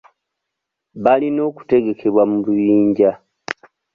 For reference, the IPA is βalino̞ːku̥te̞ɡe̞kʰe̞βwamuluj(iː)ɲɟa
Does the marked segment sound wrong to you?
no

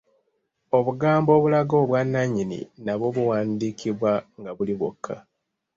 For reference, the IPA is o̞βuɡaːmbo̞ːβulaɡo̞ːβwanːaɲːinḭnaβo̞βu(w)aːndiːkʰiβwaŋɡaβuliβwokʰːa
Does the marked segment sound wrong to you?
no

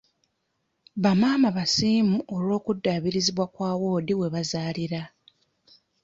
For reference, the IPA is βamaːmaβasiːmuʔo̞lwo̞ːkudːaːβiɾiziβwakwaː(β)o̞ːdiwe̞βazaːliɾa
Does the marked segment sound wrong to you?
yes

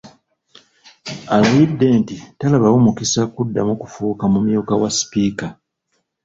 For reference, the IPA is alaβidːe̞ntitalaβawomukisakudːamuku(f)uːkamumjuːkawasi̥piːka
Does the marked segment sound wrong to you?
no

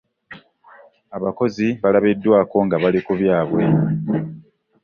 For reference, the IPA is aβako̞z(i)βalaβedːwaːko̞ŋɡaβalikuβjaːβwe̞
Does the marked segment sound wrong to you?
no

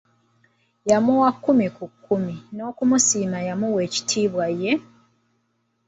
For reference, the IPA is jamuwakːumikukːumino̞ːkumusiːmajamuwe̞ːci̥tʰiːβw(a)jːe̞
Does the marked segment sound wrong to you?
no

